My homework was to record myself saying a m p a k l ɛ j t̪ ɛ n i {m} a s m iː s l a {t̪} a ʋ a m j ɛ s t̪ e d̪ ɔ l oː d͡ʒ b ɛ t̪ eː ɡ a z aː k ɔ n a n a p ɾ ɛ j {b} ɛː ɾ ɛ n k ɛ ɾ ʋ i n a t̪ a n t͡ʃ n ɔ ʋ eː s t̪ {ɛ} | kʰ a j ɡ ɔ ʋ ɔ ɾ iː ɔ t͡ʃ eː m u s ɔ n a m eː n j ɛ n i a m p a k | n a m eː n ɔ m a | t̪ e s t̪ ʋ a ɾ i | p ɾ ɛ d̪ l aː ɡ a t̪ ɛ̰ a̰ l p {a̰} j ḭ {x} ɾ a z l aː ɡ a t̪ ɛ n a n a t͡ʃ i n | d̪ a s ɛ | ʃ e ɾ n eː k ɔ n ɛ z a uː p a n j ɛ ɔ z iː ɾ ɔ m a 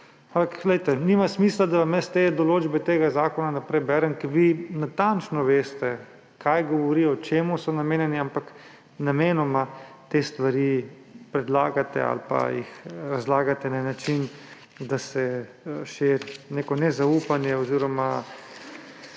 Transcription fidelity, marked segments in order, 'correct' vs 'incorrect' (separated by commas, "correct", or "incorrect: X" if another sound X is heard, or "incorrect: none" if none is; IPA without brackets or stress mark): correct, incorrect: d̪, correct, correct, correct, correct